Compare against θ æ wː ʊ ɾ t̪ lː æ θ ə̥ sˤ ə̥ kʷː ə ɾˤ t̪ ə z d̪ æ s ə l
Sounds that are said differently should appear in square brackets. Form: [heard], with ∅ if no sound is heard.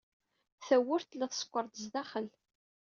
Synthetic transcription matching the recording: θ æ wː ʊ ɾ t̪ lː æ θ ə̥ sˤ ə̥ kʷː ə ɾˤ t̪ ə z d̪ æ [χ] ə l